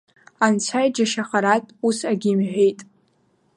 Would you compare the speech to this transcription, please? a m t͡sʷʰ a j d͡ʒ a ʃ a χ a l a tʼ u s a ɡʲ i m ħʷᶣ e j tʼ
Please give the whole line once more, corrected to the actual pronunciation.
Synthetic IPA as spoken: a n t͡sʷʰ a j d͡ʒ a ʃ a χ a ɾ a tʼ u s a ɡʲ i m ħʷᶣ e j tʼ

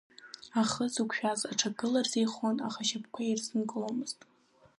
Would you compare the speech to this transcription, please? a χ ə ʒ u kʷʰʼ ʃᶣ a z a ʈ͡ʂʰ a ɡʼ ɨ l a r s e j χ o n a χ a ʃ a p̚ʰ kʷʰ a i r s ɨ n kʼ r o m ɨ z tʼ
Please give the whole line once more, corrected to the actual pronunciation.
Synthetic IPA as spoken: a χ ə z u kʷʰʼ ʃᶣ a z a ʈ͡ʂʰ a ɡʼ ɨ l a r z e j χ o n a χ a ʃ a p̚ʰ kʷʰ a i r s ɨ n kʼ l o m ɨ z tʼ

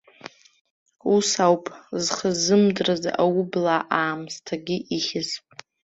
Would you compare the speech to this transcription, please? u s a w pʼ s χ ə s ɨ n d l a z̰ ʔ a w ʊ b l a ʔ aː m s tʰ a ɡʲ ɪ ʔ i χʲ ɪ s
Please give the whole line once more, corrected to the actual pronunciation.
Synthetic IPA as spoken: u s a w pʼ z χ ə z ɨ m d r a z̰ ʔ a w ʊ b l a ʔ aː m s tʰ a ɡʲ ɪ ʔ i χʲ ɪ z

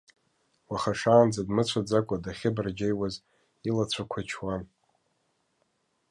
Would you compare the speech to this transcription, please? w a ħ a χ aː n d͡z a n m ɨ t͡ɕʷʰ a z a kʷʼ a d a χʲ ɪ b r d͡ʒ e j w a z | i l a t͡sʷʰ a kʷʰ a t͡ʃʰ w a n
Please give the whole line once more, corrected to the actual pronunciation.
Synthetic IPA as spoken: w a χ a ʂ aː n d͡z a d m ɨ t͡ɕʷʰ a d͡z a kʷʼ a d a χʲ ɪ b r d͡ʒ e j w a z | i l a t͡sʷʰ a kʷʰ a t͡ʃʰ w a n

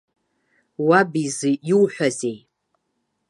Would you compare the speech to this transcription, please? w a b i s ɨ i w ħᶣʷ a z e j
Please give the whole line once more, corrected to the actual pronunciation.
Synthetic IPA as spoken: w a b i z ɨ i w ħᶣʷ a z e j

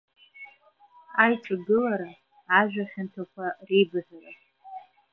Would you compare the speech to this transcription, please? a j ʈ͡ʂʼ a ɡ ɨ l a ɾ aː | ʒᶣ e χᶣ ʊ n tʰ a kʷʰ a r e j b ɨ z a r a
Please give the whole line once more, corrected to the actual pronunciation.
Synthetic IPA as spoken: a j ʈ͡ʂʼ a ɡ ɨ l a ɾ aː | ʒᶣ a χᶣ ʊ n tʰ a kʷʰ a r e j b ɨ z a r a

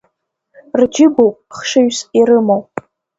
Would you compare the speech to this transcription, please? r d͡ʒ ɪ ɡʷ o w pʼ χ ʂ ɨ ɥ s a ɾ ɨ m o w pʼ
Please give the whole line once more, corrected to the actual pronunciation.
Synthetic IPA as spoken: r d͡ʒ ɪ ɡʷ o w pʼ χ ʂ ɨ ɥ s i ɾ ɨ m o w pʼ

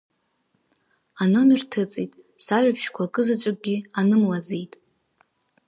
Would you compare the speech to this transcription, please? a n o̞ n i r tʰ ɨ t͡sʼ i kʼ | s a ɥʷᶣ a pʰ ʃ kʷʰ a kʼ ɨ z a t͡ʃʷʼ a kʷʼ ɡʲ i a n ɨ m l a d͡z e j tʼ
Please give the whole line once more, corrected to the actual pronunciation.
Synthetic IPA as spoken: a n o̞ m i r tʰ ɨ t͡sʼ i tʼ | s a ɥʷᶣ a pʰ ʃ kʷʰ a kʼ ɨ z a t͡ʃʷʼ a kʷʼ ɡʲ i a n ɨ m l a d͡z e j tʼ

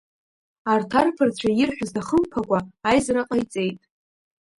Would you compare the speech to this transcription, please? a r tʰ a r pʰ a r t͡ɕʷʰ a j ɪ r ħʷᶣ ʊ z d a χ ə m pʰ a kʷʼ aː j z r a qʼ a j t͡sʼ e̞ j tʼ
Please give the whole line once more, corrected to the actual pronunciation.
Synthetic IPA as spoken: a r tʰ a r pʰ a r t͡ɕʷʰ a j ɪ r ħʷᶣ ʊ z d a χ ə m pʰ a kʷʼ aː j z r a qʼ a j t͡sʼ e̞ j tʼ

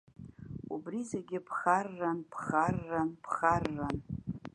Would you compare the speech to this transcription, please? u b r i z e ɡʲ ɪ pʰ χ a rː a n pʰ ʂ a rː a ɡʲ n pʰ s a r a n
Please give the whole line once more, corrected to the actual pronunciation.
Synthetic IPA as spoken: u b r i z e ɡʲ ɪ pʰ χ a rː a n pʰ χ a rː a n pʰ χ a rː a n

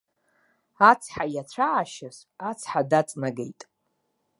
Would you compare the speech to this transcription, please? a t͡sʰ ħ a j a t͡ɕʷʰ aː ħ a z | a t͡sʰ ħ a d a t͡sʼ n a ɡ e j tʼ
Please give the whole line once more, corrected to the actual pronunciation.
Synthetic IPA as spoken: a t͡sʰ ħ a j a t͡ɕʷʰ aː ʃ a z | a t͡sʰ ħ a d a t͡sʼ n a ɡ e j tʼ

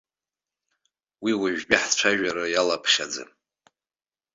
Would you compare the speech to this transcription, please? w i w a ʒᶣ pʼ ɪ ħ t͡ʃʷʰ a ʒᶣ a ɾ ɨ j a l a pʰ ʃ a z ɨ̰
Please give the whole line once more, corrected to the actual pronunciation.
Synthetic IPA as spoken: w i w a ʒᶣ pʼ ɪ ħ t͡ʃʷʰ a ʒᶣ a ɾ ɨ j a l a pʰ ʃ a d͡z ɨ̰

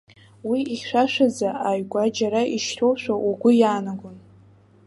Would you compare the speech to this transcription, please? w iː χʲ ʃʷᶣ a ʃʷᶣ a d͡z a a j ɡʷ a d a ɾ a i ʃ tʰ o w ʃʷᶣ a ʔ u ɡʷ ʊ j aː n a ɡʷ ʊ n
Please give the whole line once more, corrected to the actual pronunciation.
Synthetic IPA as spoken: w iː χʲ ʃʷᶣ a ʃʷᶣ a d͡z a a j ɡʷ a d͡ʒ a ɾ a i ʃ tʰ o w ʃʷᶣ a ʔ u ɡʷ ʊ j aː n a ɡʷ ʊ n

